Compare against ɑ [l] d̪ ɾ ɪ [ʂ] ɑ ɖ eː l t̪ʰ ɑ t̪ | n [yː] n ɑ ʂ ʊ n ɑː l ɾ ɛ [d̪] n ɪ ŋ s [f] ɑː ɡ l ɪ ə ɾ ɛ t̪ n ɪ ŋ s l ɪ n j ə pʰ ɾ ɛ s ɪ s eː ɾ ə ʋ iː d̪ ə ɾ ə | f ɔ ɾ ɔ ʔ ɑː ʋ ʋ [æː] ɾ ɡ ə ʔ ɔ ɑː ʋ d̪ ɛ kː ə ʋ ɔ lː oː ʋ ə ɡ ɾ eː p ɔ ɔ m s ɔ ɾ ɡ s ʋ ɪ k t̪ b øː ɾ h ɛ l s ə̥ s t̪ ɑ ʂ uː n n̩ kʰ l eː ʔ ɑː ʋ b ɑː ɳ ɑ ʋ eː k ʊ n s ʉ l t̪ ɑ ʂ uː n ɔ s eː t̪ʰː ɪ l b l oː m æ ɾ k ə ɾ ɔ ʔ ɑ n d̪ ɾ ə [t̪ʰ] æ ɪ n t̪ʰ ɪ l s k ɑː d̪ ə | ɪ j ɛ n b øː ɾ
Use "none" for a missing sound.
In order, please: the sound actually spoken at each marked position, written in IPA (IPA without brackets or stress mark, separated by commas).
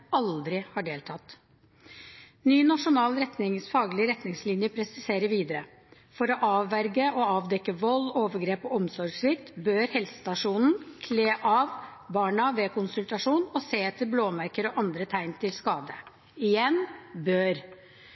l, h, yː, t̪, f, æ, t̪ʰ